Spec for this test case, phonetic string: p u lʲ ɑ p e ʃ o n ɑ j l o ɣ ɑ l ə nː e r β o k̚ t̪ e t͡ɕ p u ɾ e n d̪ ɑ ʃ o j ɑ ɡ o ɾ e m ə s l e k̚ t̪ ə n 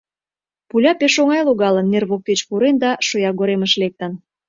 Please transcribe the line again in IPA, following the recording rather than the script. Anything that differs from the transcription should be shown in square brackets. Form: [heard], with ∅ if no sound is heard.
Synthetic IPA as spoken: p u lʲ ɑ p e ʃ o [ŋ] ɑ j l o ɣ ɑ l ə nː e r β o k̚ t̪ e t͡ɕ p u ɾ e n d̪ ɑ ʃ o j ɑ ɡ o ɾ e m ə [ʃ] l e k̚ t̪ ə n